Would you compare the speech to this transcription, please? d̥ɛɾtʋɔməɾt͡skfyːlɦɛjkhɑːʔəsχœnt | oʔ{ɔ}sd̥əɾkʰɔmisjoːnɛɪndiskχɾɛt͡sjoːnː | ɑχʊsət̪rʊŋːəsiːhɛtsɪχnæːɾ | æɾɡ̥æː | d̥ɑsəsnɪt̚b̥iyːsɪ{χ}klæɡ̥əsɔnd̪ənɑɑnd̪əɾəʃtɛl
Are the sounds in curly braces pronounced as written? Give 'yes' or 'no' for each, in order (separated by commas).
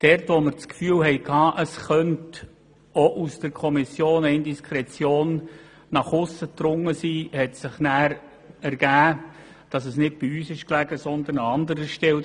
no, no